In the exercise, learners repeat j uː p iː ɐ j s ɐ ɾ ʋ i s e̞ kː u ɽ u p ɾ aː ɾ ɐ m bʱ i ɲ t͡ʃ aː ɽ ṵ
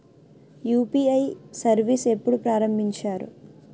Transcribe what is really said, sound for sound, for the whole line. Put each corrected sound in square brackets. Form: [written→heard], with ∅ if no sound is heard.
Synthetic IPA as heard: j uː p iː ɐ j s ɐ ɾ ʋ i s e̞ [kː→pː] u ɽ u p ɾ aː ɾ ɐ m bʱ i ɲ t͡ʃ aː [ɽ→ɾ] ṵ

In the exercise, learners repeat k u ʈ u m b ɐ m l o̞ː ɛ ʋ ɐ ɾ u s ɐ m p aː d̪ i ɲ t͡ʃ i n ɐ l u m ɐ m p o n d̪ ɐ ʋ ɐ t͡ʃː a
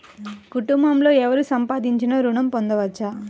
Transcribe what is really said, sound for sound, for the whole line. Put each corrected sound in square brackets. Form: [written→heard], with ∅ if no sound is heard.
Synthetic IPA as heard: k u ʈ u m b ɐ m l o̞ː ɛ ʋ ɐ ɾ u s ɐ m p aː d̪ i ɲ t͡ʃ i n ɐ [l→ɾ] u [m→ɳ] ɐ m p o n d̪ ɐ ʋ ɐ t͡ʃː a

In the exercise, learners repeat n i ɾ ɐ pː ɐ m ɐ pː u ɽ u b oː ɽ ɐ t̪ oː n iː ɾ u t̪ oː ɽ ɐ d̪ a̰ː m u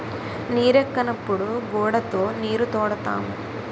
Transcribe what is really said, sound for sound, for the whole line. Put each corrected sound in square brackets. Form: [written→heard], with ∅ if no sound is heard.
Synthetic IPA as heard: n [i→iː] ɾ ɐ [pː→kː] ɐ [m→n] ɐ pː u ɽ u [b→ɡ] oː ɽ ɐ t̪ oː n iː ɾ u t̪ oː ɽ ɐ [d̪→t̪] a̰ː m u

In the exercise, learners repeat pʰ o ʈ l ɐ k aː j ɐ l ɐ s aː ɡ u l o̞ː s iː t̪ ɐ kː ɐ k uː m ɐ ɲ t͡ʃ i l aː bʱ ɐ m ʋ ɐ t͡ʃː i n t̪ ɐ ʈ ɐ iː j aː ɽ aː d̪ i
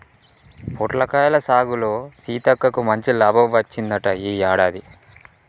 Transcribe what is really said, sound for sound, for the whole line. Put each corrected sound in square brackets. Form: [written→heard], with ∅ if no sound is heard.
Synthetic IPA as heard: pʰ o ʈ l ɐ k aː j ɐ l ɐ s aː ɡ u l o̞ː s iː t̪ ɐ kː ɐ k [uː→u] m ɐ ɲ t͡ʃ i l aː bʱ ɐ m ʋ ɐ t͡ʃː i n [t̪→d̪] ɐ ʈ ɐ iː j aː ɽ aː d̪ i

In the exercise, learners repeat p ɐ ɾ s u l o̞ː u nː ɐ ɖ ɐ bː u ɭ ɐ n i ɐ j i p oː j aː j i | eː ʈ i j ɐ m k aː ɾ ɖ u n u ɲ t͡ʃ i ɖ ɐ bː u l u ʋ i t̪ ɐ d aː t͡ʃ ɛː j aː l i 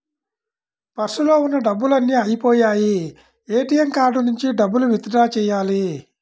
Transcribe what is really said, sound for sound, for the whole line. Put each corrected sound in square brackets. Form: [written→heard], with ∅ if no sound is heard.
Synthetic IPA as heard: p ɐ ɾ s u l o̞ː u nː ɐ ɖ ɐ bː u [ɭ→l] ɐ [n→nː] i ɐ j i p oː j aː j i | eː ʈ i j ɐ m k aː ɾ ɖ u n u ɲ t͡ʃ i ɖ ɐ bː u l u ʋ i t̪ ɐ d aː t͡ʃ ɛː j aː l i

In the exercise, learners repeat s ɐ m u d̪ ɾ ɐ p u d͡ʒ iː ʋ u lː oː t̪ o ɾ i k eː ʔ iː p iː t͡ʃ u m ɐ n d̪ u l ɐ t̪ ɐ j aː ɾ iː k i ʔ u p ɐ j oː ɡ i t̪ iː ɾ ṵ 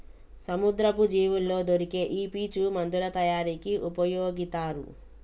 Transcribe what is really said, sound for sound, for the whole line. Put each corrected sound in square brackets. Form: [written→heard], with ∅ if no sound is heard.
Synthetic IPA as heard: s ɐ m u d̪ ɾ ɐ p u d͡ʒ iː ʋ u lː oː [t̪→d̪] o ɾ i k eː ʔ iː p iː t͡ʃ u m ɐ n d̪ u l ɐ t̪ ɐ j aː ɾ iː k i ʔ u p ɐ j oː ɡ i t̪ [iː→aː] ɾ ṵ

